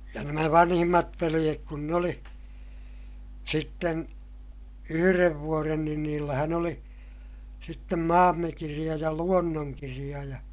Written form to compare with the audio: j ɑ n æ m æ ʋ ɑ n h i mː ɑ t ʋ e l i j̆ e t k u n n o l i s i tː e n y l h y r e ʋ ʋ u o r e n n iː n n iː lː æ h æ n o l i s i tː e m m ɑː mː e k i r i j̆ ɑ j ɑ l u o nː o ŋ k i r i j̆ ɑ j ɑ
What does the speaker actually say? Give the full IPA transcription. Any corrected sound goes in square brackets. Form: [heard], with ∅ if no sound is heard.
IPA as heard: j ɑ n æ m æ ʋ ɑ n h i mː ɑ t ʋ e l i j̆ e [k] k u n n o l i s i tː e n y [∅] h y r e ʋ ʋ u o r e n n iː n n iː lː æ h æ n o l i s i tː e m m ɑː mː e k i r i j̆ ɑ j ɑ l u o nː o ŋ k i r i j̆ ɑ j ɑ